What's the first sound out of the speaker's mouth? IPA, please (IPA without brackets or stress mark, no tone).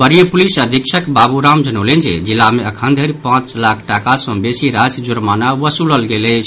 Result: b